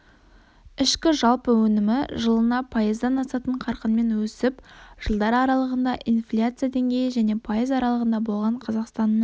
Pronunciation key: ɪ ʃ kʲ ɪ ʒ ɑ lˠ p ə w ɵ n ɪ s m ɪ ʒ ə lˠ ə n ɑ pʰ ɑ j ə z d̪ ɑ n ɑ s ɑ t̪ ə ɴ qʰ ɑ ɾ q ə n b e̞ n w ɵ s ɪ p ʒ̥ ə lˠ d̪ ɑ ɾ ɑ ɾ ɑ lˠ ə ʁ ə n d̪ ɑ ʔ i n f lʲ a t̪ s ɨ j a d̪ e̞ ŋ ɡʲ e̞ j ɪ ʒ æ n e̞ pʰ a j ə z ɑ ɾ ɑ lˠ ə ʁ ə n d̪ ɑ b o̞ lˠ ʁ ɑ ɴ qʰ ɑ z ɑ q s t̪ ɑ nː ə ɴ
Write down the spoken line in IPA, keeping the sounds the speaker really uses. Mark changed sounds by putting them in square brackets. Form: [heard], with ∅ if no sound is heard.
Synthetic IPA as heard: ɪ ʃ kʲ ɪ ʒ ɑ lˠ p ə w ɵ n ɪ [∅] m ɪ ʒ ə lˠ ə n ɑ pʰ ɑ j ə z d̪ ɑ n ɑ s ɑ t̪ ə ɴ qʰ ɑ ɾ q ə n [m] e̞ n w ɵ s ɪ p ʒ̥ ə lˠ d̪ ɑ ɾ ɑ ɾ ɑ lˠ ə ʁ ə n d̪ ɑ ʔ i n f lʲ a t̪ s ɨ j a d̪ e̞ ŋ ɡʲ e̞ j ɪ ʒ æ n e̞ pʰ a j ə z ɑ ɾ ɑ lˠ ə ʁ ə n d̪ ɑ b o̞ lˠ ʁ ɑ ɴ qʰ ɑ z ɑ q s t̪ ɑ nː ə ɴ